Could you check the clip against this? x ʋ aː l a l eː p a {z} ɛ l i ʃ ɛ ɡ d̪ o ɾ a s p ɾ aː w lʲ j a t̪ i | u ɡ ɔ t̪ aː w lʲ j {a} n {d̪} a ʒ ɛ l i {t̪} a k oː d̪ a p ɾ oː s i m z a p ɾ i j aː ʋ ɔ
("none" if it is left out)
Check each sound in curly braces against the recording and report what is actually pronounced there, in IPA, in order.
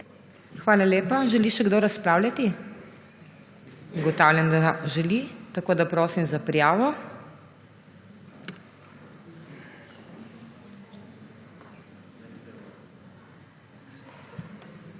ʒ, a, d̪, t̪

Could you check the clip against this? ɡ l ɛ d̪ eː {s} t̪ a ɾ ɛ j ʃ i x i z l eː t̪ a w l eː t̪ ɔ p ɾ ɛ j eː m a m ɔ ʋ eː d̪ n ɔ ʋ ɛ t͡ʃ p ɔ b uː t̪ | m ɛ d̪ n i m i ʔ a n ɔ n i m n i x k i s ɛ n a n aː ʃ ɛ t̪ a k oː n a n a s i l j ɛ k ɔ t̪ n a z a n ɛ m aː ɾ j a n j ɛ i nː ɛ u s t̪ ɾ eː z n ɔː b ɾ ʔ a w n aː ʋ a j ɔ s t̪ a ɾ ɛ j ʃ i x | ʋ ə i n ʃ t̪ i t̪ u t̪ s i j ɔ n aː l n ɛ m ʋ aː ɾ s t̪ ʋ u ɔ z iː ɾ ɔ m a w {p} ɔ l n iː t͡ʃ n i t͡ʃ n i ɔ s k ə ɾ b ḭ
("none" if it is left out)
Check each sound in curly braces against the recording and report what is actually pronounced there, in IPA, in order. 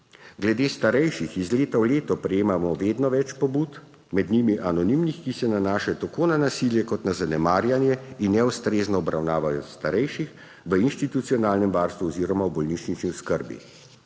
s, b

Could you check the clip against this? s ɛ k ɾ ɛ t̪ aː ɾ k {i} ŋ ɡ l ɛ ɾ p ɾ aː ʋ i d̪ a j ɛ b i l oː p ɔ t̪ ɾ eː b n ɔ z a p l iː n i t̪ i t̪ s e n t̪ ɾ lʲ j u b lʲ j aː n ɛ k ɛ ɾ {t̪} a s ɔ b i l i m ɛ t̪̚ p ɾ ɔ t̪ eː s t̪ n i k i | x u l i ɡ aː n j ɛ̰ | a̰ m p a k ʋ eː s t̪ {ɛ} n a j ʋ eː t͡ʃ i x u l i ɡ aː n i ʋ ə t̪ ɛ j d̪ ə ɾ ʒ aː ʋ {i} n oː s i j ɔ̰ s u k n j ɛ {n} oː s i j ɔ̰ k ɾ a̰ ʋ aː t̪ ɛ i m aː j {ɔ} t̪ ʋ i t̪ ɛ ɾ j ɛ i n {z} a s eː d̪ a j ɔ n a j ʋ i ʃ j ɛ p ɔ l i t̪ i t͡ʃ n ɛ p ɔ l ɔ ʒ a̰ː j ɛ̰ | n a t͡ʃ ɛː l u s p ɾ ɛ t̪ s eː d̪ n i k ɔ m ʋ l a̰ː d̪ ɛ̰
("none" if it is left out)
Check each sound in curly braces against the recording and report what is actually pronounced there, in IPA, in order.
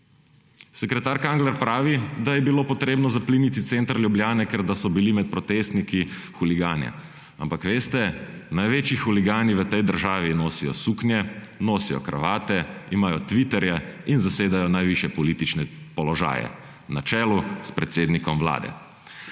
a, d̪, ɛ, i, n, ɔ, z

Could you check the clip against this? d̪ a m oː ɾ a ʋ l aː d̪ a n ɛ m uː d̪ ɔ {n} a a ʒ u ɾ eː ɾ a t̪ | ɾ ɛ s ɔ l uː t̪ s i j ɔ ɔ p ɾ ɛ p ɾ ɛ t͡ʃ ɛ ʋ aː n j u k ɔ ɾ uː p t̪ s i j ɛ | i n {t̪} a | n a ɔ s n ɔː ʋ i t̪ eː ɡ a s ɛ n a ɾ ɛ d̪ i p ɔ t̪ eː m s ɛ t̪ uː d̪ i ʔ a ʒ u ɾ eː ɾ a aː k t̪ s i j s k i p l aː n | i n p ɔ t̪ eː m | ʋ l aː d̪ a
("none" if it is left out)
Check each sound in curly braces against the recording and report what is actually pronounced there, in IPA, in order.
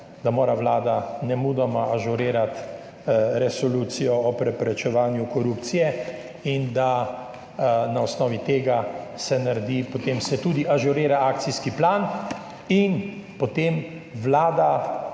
m, d̪

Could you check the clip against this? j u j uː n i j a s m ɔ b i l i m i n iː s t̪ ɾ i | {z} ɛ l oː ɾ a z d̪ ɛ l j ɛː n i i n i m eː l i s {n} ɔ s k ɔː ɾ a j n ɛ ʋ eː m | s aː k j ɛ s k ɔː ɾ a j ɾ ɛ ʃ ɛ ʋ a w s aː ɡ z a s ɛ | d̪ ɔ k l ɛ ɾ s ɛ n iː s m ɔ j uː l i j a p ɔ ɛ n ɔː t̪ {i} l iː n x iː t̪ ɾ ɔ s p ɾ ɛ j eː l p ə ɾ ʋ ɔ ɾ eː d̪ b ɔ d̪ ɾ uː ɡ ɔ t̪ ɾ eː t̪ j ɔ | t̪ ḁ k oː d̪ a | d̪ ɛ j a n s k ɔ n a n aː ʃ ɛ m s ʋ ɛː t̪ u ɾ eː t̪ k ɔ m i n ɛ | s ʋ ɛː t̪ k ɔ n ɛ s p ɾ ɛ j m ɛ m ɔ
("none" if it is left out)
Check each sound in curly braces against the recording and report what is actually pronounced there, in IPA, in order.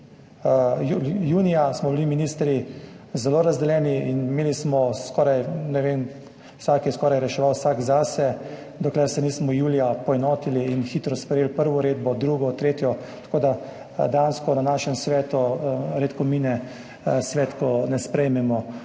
z, m, i

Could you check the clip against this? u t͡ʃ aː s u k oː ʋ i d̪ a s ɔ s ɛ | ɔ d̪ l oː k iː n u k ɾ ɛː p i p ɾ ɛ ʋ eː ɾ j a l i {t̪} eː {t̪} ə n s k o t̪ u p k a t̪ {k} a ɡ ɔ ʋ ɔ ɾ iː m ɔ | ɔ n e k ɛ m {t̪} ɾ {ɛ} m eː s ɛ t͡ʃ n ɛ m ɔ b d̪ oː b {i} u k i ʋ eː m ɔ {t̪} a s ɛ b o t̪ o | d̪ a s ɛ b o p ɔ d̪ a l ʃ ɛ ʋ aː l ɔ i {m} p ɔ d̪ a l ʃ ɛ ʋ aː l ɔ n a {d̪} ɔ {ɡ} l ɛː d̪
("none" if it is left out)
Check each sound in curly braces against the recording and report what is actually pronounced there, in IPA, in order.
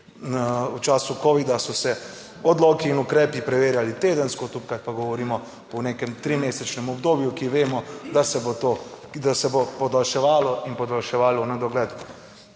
t̪, d̪, p, t̪, i, j, d̪, n, d̪, ɡ

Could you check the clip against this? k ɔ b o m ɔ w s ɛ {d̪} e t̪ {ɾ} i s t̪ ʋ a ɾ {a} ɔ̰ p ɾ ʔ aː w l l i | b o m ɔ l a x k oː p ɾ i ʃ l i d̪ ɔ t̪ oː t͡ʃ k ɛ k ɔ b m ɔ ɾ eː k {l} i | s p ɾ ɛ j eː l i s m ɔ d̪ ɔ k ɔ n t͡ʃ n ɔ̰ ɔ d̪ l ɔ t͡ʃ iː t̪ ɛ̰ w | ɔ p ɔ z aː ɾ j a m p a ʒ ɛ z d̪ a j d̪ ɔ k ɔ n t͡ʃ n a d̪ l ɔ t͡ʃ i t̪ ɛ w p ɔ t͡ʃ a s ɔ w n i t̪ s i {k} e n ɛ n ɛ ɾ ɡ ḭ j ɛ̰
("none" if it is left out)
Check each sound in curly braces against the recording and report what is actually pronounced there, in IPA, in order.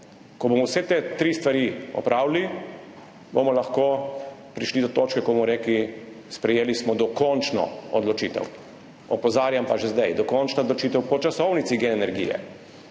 t̪, ɾ, i, l, ɡ

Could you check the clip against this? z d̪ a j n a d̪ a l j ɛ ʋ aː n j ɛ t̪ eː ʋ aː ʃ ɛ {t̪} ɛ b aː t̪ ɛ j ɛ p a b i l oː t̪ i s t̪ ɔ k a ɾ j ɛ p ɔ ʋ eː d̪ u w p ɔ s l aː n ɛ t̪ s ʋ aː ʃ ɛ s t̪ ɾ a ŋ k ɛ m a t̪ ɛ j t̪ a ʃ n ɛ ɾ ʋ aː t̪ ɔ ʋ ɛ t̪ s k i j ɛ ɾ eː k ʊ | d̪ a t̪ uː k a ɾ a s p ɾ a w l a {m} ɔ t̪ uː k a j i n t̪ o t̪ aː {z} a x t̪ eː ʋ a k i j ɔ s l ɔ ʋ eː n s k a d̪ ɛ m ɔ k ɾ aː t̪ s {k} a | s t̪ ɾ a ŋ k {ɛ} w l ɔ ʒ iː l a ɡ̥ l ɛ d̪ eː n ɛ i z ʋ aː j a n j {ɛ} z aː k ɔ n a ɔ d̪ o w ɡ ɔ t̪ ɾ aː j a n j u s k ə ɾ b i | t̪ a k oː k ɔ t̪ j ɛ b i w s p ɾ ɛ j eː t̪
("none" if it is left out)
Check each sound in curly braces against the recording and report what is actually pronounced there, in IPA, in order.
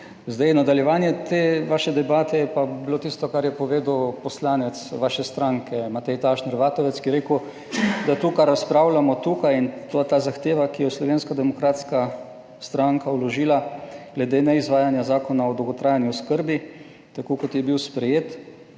d̪, m, z, k, a, a

